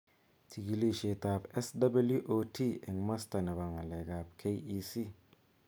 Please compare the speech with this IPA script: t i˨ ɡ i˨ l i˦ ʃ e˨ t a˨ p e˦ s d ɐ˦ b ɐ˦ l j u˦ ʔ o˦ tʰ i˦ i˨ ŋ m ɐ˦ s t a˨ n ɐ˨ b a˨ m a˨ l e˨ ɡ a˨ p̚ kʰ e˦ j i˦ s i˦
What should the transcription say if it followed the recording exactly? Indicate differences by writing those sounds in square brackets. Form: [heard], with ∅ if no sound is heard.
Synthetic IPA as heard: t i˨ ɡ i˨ l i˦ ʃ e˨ t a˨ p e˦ s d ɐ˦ b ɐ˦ l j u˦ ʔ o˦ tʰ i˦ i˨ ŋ m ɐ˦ s t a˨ n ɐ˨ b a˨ [ŋ] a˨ l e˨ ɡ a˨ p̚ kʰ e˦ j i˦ s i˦